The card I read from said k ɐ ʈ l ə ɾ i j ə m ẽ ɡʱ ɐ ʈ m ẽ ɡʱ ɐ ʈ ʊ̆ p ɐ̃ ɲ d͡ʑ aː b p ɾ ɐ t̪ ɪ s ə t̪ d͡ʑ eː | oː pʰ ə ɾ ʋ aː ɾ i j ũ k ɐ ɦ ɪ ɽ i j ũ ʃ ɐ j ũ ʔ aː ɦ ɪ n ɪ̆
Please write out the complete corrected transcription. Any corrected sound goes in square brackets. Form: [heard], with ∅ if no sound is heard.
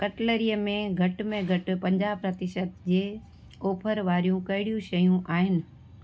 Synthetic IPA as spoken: k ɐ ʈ l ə ɾ i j ə m ẽ ɡʱ ɐ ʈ m ẽ ɡʱ ɐ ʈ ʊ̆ p ɐ̃ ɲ d͡ʑ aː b p ɾ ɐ t̪ ɪ [ʃ] ə t̪ d͡ʑ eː | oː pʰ ə ɾ ʋ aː ɾ i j ũ k ɐ ɦ ɪ ɽ i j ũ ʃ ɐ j ũ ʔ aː ɦ ɪ n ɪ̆